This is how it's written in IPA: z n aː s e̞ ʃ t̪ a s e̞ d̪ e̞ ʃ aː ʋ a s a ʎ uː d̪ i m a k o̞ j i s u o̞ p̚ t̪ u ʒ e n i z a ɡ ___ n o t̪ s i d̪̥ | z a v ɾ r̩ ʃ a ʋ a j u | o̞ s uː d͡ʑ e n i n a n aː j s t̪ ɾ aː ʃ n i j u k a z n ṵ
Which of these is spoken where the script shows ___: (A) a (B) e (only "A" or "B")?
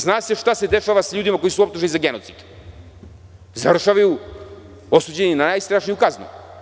B